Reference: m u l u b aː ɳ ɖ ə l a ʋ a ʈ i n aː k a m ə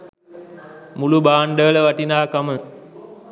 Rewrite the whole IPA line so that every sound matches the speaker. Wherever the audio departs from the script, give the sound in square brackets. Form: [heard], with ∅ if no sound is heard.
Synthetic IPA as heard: m u l u b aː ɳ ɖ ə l [ə] ʋ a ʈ i n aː k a m ə